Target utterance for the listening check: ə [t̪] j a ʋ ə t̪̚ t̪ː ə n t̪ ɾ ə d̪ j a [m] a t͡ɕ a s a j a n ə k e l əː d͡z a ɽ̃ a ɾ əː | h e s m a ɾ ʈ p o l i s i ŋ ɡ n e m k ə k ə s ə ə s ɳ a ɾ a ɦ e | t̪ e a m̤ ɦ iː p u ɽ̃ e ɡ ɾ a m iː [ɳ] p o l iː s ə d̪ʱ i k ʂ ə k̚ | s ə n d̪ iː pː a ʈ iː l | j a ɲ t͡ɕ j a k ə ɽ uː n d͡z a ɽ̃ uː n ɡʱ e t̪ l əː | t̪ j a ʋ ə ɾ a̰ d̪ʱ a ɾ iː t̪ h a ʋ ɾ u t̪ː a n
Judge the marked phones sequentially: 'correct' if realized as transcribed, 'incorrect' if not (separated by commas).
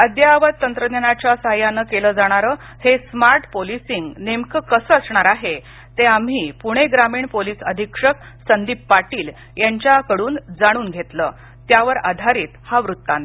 incorrect, incorrect, correct